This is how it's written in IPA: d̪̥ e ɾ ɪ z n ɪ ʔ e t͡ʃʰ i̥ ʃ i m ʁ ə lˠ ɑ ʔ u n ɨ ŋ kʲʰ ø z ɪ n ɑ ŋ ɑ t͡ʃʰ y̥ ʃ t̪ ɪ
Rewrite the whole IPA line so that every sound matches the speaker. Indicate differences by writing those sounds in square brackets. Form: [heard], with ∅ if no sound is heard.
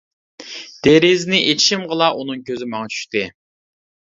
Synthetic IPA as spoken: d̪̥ e ɾ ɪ z n ɪ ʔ e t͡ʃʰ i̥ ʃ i m ʁ ə lˠ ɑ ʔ u n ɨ ŋ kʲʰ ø z ɪ [m] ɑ ŋ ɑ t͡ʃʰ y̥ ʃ t̪ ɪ